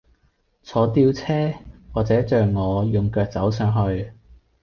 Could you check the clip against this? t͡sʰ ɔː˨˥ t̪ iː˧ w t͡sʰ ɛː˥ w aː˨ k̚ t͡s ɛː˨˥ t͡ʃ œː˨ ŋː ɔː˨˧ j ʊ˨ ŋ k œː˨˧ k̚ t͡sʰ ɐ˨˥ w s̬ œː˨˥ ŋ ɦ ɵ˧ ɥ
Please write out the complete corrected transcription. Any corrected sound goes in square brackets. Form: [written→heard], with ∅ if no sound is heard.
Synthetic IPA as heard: t͡sʰ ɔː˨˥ t̪ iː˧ w t͡sʰ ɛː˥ w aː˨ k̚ t͡s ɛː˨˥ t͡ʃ œː˨ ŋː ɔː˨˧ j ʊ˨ ŋ k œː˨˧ k̚ [t͡sʰ→t͡s] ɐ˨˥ w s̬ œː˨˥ ŋ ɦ ɵ˧ ɥ